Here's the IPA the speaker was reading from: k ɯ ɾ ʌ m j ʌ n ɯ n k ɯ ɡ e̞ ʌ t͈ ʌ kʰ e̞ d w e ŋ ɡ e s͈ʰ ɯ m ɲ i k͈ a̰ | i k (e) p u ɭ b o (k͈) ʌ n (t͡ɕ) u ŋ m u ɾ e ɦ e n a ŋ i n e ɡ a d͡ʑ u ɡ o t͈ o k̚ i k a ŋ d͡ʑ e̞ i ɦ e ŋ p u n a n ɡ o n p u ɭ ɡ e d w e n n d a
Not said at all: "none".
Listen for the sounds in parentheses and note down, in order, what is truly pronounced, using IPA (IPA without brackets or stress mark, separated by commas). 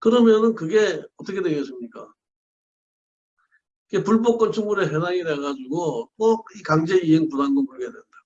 e, k͈, t͡ɕʰ